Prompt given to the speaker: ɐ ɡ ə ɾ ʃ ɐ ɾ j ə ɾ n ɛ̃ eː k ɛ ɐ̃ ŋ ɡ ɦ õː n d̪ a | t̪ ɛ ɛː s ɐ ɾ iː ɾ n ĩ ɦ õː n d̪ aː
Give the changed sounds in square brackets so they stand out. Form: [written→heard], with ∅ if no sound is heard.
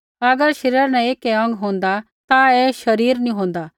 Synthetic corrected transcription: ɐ ɡ ə ɾ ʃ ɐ ɾ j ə ɾ n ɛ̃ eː k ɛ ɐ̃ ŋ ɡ ɦ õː n d̪ a | t̪ [ɛ→a] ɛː [s→ʃ] ɐ ɾ iː ɾ n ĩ ɦ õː n d̪ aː